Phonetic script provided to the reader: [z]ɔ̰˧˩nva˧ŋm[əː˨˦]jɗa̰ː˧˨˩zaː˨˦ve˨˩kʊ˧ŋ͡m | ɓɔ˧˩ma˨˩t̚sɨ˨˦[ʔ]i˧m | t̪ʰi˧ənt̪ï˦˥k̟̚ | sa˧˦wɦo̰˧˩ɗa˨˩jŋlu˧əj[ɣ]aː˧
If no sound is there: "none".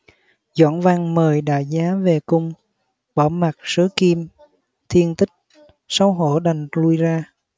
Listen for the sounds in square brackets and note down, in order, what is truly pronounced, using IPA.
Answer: z, əː˨˩, k, z

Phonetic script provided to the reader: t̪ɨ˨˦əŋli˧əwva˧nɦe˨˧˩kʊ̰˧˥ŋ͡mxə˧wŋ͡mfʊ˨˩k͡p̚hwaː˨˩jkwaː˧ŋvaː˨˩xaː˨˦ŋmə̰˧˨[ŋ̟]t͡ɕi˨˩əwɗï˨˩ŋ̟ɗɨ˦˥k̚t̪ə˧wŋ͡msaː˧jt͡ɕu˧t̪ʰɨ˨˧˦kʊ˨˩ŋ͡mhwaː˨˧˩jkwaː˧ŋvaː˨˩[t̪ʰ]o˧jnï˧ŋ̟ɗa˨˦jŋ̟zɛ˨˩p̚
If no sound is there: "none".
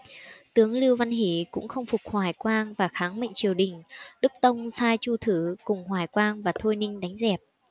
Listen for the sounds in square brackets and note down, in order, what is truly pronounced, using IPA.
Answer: ŋ̟, t̪ʰ

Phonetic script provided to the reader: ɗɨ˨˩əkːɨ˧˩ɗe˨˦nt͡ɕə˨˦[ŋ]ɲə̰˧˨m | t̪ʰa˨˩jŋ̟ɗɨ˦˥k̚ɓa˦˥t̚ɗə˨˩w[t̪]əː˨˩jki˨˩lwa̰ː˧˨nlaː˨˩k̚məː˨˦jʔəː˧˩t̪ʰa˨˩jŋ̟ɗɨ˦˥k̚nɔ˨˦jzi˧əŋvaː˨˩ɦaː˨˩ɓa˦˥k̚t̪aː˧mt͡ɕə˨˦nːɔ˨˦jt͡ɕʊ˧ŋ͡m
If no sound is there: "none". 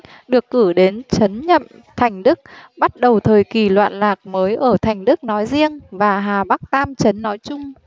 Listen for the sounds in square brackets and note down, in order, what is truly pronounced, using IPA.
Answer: n, t̪ʰ

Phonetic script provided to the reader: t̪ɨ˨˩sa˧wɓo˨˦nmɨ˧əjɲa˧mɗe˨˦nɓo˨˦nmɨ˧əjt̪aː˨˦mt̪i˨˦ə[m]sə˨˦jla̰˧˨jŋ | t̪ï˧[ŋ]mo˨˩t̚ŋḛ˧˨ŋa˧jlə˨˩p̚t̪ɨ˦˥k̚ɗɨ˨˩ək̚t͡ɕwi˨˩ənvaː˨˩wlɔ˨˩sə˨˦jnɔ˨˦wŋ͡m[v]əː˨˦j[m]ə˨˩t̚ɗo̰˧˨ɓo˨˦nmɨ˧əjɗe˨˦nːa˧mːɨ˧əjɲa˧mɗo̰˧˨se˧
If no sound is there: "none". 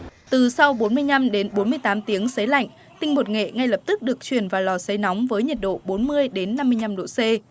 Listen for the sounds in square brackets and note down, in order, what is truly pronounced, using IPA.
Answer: ŋ, ŋ, v, ɲ

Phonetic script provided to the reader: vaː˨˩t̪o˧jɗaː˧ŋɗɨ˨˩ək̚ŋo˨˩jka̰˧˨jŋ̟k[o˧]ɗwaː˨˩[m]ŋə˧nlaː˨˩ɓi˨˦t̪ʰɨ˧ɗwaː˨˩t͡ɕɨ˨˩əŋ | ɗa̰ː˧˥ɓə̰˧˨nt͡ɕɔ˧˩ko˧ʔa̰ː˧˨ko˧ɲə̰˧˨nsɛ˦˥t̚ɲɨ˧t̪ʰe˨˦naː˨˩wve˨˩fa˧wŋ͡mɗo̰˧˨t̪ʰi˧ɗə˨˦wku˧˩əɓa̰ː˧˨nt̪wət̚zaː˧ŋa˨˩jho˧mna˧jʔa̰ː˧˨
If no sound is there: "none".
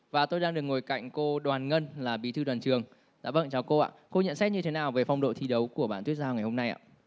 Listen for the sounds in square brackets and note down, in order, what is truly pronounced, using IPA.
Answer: o˧, n

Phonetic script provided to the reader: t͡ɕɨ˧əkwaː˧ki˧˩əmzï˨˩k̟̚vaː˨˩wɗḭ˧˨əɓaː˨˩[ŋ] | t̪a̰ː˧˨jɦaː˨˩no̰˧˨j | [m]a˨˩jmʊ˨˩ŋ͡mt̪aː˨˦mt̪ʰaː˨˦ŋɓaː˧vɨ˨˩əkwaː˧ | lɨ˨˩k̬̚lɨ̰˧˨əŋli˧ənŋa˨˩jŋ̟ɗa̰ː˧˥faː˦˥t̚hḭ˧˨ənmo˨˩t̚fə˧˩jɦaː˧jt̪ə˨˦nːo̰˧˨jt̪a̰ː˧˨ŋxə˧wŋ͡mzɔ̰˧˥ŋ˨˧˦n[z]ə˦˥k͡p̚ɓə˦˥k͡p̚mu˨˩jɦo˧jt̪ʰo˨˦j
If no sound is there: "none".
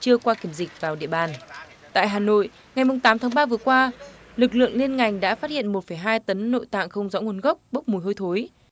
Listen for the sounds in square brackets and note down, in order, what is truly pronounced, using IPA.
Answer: n, ŋ, ɣ

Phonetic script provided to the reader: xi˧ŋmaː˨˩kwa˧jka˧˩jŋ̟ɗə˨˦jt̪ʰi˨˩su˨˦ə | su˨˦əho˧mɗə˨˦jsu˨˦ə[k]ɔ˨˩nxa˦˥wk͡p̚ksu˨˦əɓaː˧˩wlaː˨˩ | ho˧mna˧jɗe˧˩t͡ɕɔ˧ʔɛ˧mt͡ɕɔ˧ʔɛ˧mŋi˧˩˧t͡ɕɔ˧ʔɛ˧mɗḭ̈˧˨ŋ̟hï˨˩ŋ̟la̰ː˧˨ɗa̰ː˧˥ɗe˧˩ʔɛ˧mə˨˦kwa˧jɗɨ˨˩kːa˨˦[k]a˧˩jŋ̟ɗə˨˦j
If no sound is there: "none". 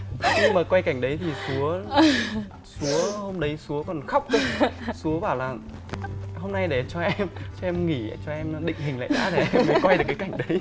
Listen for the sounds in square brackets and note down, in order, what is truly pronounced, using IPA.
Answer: k, k

